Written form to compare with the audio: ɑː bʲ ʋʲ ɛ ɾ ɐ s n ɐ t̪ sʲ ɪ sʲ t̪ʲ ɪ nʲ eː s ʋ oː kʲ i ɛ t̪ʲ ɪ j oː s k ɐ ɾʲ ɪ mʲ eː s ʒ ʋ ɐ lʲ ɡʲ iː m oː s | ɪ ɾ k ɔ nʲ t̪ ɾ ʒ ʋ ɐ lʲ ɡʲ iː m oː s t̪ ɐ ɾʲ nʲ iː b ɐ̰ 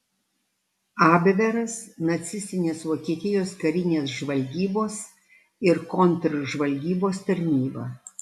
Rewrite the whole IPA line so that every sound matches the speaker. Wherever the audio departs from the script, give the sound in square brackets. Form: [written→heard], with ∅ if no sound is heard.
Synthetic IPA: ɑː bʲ ʋʲ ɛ ɾ ɐ s n ɐ t̪ sʲ ɪ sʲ t̪ʲ ɪ nʲ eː s ʋ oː kʲ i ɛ t̪ʲ ɪ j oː s k ɐ ɾʲ ɪ [mʲ→nʲ] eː s ʒ ʋ ɐ lʲ ɡʲ iː [m→b] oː s | ɪ ɾ k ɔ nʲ t̪ ɾ ʒ ʋ ɐ lʲ ɡʲ iː [m→b] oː s t̪ ɐ ɾʲ nʲ iː b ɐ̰